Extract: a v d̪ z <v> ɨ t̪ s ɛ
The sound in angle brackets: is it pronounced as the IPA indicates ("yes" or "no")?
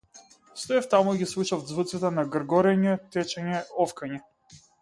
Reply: yes